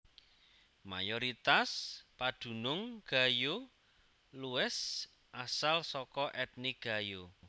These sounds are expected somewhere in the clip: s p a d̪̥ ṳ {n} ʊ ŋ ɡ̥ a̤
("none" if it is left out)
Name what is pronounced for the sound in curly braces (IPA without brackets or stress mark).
n